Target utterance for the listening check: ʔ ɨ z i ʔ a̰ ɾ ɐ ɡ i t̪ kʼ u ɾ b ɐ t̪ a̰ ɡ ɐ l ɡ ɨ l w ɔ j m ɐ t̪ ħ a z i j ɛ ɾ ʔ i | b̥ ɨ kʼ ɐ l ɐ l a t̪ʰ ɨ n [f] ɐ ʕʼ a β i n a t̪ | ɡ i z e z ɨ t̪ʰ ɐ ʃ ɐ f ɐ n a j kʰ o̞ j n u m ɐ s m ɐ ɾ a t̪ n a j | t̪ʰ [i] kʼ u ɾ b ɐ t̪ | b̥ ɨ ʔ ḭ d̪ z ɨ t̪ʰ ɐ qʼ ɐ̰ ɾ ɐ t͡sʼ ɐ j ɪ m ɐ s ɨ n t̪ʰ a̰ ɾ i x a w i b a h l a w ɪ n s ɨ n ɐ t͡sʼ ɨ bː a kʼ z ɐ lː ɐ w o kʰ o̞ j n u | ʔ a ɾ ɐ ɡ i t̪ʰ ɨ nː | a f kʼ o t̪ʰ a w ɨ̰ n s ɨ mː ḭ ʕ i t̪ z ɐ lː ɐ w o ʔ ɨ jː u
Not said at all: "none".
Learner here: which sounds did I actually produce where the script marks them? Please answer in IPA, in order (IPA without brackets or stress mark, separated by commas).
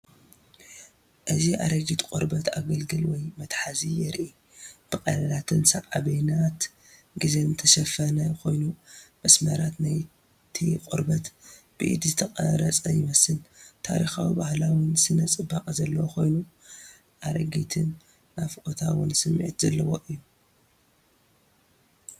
s, i